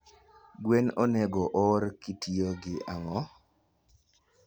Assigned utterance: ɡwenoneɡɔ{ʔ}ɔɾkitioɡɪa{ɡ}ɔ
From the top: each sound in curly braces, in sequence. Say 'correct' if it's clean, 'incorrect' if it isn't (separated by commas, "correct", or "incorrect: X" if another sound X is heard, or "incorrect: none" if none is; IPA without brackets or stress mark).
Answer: correct, incorrect: ŋ